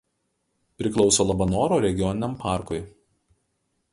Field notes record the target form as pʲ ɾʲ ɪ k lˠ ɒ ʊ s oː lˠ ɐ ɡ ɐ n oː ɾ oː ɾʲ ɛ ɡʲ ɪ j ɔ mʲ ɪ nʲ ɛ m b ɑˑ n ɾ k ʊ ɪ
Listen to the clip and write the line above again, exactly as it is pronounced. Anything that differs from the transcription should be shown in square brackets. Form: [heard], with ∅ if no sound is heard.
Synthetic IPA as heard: pʲ ɾʲ ɪ k lˠ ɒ ʊ s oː lˠ ɐ [b] ɐ n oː ɾ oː ɾʲ ɛ ɡʲ ɪ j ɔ [nʲ] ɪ nʲ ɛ m [p] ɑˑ [∅] ɾ k ʊ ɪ